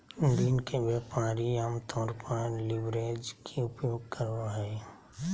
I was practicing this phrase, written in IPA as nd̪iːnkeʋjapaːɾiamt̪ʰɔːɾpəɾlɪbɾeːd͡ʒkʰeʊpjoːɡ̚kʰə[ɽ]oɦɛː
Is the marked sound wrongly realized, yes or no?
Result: yes